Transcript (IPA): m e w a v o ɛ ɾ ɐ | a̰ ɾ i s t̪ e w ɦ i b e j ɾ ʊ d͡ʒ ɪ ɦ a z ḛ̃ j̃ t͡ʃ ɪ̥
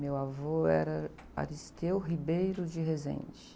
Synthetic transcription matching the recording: m e w a v o ɛ ɾ ɐ | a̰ ɾ i s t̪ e w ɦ i b e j ɾ ʊ d͡ʒ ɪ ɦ e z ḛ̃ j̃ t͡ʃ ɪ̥